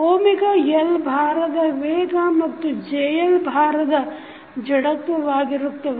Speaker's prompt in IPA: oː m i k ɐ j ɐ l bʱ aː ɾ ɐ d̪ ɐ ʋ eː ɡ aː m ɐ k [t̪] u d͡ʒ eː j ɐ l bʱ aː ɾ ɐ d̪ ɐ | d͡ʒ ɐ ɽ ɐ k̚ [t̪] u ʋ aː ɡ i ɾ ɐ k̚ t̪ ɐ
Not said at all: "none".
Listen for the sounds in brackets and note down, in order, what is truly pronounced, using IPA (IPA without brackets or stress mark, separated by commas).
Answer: t̪, t̪